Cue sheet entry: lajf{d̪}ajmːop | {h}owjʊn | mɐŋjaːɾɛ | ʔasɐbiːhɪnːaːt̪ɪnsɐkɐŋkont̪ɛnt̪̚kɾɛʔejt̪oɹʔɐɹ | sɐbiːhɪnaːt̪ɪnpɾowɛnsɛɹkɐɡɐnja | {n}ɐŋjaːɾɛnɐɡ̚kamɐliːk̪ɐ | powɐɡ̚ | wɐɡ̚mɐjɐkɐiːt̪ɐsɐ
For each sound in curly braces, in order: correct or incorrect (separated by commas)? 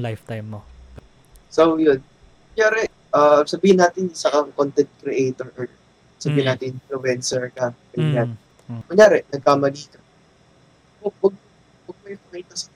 incorrect, incorrect, incorrect